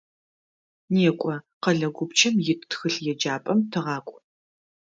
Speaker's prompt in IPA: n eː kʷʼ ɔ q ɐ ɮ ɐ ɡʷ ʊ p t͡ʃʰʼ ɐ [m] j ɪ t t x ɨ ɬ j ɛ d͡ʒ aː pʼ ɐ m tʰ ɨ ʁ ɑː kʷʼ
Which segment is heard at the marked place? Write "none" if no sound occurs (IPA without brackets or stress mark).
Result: m